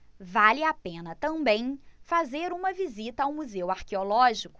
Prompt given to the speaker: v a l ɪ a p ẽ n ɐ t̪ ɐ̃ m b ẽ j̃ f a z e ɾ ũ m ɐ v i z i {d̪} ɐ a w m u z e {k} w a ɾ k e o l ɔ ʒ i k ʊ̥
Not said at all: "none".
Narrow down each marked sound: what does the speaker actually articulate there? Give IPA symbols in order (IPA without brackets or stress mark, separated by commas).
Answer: t̪, none